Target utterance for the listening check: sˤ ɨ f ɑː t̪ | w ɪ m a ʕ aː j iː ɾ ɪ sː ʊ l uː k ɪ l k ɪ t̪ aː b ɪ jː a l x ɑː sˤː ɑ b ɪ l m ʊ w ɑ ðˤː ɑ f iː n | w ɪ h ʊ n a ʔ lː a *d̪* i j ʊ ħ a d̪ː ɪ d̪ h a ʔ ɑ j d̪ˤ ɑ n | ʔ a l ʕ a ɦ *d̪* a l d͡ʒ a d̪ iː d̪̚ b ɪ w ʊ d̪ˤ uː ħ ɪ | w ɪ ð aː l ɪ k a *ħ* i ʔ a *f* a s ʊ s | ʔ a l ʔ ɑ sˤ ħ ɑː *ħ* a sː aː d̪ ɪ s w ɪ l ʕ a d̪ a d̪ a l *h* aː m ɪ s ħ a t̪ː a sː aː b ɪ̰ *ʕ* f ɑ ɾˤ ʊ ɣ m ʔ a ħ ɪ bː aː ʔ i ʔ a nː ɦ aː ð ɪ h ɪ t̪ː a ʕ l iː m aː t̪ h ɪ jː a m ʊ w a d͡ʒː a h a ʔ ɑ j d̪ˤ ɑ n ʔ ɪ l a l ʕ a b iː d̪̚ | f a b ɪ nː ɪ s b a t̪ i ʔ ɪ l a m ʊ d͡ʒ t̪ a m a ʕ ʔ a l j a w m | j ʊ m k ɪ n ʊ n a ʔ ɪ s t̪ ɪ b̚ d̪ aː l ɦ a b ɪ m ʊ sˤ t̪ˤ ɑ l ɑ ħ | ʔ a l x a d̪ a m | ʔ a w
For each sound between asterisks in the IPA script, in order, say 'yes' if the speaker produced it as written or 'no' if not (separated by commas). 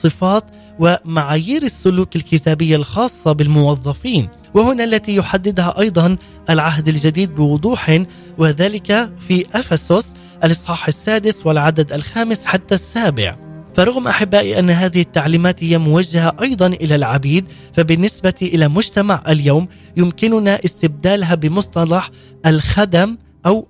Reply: no, yes, no, yes, yes, no, yes